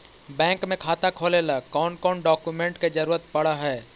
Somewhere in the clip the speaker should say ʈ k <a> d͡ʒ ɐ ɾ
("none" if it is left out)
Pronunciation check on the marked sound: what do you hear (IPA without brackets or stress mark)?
e